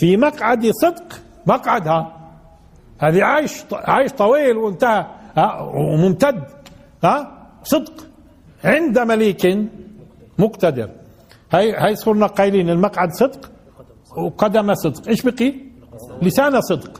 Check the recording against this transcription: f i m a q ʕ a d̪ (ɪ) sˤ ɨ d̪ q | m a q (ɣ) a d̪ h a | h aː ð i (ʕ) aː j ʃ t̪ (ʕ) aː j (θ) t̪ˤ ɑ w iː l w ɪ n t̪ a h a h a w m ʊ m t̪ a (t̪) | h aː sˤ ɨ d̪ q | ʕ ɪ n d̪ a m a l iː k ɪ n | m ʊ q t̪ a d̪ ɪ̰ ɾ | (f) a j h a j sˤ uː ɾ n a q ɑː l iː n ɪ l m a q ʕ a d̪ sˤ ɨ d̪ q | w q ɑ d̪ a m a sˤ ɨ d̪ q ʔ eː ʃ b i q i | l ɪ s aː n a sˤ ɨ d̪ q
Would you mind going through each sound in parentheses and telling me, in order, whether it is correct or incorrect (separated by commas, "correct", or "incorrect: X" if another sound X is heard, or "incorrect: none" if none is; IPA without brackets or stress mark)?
incorrect: i, incorrect: ʕ, correct, correct, incorrect: ʃ, incorrect: d̪, incorrect: h